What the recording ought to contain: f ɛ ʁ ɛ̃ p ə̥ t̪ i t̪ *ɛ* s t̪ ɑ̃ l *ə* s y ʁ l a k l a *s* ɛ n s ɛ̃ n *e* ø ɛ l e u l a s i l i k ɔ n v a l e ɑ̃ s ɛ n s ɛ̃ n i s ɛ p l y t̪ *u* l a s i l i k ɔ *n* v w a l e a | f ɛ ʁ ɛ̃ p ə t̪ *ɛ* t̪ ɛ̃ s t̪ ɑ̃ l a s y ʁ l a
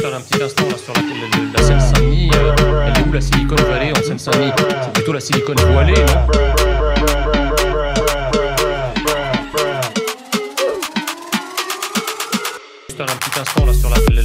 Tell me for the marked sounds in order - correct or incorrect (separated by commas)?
incorrect, incorrect, correct, incorrect, incorrect, correct, incorrect